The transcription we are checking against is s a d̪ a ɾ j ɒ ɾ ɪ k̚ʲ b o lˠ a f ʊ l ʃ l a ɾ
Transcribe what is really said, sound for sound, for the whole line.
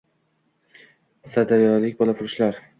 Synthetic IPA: s a d̪ a ɾ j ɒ l ɪ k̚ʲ b ɒ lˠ a f ʊ ɾ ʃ l a ɾ

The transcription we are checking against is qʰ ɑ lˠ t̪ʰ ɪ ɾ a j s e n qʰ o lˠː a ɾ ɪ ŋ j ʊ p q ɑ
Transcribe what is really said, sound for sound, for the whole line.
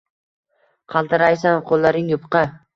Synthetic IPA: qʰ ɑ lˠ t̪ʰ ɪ ɾ a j s a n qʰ o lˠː a ɾ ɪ ŋ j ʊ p q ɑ

